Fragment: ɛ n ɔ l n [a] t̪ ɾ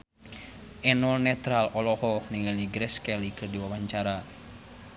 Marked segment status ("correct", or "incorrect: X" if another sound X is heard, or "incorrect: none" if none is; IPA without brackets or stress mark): incorrect: ɛ